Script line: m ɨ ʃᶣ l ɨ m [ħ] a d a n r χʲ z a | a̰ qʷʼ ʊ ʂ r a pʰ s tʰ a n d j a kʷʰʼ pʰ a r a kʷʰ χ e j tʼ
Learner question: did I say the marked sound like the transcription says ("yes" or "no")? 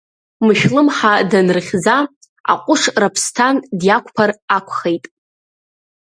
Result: yes